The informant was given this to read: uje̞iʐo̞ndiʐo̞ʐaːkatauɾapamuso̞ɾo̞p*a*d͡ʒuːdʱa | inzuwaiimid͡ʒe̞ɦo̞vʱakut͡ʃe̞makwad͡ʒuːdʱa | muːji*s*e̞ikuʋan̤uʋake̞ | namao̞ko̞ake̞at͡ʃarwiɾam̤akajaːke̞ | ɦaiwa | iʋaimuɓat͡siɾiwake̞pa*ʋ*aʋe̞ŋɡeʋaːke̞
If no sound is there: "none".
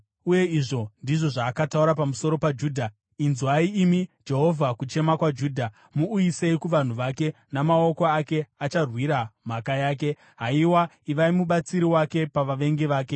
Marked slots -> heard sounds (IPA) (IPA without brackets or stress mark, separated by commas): a, s, ʋ